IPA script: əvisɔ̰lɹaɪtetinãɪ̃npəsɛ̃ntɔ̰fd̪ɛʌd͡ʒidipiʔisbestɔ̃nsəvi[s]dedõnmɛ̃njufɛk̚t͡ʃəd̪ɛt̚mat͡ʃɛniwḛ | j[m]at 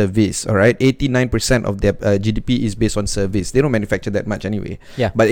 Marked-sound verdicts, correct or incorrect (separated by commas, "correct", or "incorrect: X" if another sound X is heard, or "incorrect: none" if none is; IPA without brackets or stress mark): correct, incorrect: b